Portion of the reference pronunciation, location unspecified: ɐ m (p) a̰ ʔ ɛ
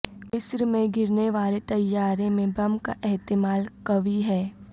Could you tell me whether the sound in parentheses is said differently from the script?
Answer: yes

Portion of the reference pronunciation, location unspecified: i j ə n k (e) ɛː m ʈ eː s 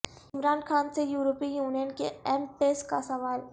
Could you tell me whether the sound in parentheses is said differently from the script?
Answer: no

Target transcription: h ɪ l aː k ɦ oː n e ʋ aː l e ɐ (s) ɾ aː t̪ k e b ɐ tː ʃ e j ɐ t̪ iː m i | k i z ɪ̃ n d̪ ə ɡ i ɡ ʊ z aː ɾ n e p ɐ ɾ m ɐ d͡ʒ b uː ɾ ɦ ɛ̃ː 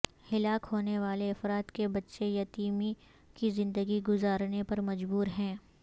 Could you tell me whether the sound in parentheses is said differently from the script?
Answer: yes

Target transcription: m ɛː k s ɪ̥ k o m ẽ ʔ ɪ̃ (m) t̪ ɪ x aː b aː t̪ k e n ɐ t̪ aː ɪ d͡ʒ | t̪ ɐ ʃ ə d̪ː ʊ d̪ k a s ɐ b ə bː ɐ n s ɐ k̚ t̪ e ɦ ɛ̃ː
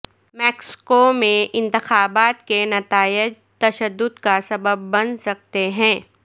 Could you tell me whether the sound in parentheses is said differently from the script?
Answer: yes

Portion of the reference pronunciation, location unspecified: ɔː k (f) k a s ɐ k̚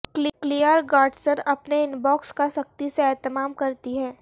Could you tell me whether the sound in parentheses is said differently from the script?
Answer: yes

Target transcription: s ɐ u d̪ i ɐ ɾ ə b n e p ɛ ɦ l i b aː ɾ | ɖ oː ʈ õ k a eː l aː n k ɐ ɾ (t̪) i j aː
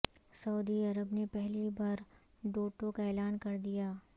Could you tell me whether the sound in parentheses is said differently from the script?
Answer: yes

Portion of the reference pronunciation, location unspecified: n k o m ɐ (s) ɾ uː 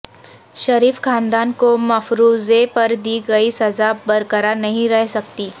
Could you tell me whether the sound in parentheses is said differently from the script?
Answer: yes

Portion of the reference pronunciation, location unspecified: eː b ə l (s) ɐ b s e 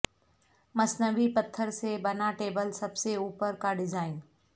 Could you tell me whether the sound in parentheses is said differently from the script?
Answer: no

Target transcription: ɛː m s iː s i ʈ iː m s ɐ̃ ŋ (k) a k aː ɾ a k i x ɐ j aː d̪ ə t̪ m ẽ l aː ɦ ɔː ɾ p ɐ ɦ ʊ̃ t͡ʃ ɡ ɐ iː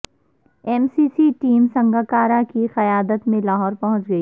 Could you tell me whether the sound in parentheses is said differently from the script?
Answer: yes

